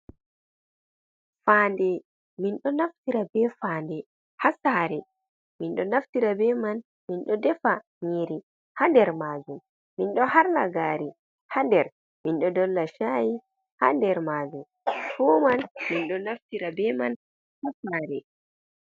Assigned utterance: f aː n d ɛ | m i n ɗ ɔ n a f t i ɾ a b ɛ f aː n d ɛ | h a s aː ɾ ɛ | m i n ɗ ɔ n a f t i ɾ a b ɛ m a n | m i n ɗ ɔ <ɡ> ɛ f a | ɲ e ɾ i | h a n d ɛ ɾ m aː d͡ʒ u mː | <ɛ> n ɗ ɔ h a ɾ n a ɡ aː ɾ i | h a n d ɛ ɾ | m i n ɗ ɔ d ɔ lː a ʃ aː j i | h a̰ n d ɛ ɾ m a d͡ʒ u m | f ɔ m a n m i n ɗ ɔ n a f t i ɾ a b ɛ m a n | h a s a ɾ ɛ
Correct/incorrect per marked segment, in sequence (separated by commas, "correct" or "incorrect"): incorrect, incorrect